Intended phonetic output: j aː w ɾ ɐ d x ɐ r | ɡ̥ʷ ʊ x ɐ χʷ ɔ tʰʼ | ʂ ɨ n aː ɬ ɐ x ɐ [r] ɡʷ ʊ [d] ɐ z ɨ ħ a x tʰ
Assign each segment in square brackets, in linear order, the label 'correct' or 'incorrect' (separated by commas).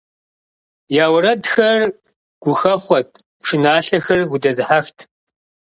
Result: correct, correct